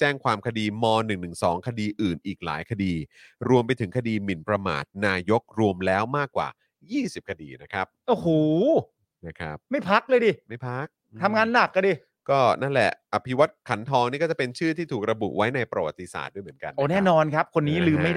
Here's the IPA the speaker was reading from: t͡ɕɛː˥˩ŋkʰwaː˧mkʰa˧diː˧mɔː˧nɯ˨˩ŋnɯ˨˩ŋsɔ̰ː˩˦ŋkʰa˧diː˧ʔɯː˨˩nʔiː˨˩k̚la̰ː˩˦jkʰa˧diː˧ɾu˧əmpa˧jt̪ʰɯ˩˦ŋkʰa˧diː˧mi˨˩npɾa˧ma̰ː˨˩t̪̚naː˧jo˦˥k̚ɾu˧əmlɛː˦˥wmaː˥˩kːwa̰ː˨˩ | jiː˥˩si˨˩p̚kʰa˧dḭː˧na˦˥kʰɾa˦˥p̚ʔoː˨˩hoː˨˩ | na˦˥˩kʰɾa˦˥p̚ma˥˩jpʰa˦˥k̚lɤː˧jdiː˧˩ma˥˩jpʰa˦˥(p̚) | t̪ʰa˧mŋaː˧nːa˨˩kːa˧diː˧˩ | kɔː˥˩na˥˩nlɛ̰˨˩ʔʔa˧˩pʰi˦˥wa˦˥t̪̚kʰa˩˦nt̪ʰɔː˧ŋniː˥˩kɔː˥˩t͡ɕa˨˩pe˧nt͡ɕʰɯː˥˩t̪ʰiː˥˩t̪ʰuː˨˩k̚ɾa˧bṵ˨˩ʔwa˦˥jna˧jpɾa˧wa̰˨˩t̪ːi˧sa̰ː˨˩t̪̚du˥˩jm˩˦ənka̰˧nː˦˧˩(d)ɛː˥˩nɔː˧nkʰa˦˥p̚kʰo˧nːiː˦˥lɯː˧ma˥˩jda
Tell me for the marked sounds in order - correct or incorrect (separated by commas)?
incorrect, incorrect